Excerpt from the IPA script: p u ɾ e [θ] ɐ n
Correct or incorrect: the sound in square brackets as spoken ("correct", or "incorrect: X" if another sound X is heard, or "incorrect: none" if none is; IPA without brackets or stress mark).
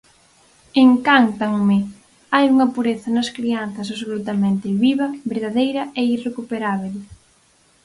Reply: correct